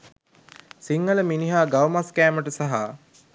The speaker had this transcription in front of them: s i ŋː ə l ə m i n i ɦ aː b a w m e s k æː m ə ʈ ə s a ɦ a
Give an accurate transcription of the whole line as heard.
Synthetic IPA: s i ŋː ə l ə m i n i ɦ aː ɡ a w m a s k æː m ə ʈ ə s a ɦ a